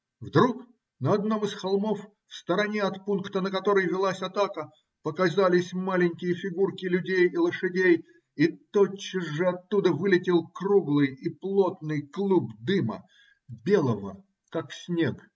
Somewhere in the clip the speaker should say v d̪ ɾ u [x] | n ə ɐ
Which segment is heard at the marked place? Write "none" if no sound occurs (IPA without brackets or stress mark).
k